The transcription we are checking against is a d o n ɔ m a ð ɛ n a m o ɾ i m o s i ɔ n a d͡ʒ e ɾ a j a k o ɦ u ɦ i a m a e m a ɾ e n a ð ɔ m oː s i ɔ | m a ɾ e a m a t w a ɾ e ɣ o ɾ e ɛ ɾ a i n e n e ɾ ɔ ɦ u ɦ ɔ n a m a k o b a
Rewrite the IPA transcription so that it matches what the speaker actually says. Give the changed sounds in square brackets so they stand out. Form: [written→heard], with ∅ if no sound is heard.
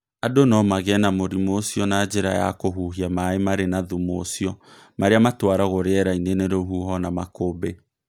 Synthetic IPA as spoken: a d o n ɔ m a [ð→ɣ] ɛ n a m o ɾ i m o s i ɔ n a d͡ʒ e ɾ a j a k o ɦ u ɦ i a m a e m a ɾ e n a ð [ɔ→u] m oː s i ɔ | m a ɾ e a m a t w a ɾ [e→a] ɣ o ɾ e ɛ ɾ a i n e n e ɾ [ɔ→o] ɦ u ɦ ɔ n a m a k o b [a→e]

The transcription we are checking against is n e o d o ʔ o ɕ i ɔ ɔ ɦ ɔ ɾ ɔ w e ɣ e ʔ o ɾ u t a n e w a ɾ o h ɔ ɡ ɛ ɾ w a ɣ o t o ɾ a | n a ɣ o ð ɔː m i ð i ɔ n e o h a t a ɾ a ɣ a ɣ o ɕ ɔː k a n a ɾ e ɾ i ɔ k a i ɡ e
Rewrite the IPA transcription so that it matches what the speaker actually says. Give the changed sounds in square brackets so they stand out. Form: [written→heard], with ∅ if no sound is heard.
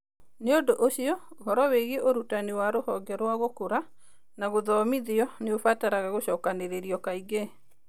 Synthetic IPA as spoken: n e o d o ʔ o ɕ i ɔ [ɔ→o] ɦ ɔ ɾ ɔ w e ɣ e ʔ o ɾ u t a n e w a ɾ o h ɔ ɡ ɛ ɾ w a ɣ o [t→k] o ɾ a | n a ɣ o ð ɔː m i ð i ɔ n e o [h→f] a t a ɾ a ɣ a ɣ o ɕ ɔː k a n [a→e] ɾ e ɾ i ɔ k a i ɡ e

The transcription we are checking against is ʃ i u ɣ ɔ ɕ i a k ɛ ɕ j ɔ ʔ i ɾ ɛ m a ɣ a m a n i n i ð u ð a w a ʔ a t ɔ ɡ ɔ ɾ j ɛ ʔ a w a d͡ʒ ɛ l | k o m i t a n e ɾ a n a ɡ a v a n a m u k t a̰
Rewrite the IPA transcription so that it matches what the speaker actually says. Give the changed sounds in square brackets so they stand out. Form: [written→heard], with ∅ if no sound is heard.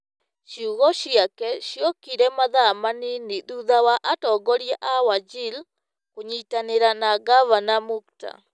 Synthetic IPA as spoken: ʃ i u ɣ ɔ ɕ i a k ɛ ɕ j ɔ [ʔ→k] i ɾ ɛ m a [ɣ→ð] a m a n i n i ð u ð a w a ʔ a t ɔ ɡ ɔ ɾ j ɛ ʔ a w a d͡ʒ [ɛ→i] l | k o [m→ɲ] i t a n e ɾ a n a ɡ a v a n a m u k t a̰

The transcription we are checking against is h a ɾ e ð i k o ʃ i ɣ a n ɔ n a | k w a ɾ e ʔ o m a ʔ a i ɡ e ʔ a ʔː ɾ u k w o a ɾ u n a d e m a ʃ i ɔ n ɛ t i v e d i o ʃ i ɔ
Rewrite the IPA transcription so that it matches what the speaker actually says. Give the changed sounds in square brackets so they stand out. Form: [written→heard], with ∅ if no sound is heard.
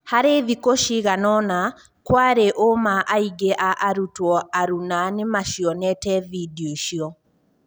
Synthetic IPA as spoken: h a ɾ e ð i k o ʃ i ɣ a n ɔ n a | k w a ɾ e ʔ o m a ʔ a i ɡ e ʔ a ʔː ɾ u [k→t] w [o→ɔ] a ɾ u n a [d→n] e m a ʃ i ɔ n ɛ t [i→ɛ] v [e→i] d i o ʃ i ɔ

